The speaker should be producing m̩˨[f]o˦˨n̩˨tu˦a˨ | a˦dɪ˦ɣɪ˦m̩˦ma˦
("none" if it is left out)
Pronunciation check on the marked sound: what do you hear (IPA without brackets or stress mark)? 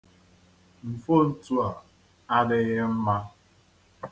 f